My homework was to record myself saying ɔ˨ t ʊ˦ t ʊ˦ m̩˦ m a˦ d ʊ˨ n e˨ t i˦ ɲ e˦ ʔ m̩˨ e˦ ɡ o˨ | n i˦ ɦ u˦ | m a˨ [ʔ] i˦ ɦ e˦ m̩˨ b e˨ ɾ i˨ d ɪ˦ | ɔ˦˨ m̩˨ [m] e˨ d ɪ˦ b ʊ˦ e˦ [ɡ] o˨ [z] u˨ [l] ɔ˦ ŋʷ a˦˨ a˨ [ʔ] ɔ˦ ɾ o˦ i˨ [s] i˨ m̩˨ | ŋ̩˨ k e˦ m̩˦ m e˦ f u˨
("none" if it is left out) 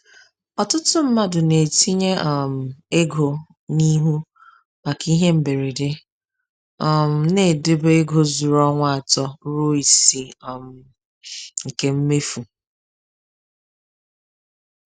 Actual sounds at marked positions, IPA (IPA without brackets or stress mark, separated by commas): k, n, ɡ, z, ɾ, t, s